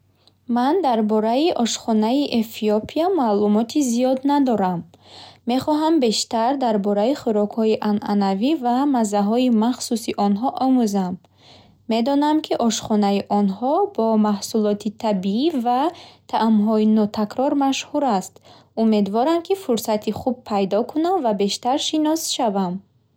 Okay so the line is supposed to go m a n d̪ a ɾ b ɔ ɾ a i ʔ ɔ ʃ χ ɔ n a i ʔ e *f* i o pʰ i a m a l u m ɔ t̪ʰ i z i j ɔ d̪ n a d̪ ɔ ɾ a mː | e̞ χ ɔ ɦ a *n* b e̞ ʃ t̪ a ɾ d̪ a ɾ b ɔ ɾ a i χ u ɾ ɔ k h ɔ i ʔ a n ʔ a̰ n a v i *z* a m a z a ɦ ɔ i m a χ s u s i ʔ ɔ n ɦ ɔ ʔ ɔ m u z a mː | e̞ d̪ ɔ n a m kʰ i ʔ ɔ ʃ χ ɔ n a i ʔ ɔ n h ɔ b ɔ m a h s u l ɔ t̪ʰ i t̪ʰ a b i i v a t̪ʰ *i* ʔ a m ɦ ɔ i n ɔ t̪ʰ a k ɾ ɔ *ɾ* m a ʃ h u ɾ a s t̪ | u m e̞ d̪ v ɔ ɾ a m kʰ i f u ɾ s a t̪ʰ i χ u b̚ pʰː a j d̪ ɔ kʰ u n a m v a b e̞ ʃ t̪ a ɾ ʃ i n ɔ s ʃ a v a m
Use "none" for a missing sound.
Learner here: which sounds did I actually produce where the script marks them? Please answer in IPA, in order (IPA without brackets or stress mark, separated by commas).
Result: f, m, v, a, ɾ